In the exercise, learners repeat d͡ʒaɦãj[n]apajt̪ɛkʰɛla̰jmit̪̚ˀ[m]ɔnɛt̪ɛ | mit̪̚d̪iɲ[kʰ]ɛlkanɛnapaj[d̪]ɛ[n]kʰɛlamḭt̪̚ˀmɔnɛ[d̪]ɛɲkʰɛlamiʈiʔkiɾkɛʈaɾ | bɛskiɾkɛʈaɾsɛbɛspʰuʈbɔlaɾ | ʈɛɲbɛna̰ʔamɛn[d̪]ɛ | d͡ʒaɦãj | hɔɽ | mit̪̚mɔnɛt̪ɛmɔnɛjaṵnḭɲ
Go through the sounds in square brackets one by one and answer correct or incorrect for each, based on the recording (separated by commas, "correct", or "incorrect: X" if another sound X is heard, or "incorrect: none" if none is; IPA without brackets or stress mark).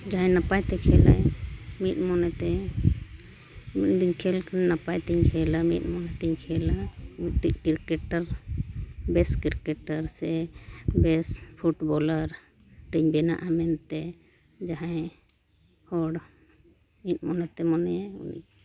correct, correct, correct, incorrect: t̪, incorrect: ɲ, incorrect: t̪, incorrect: t̪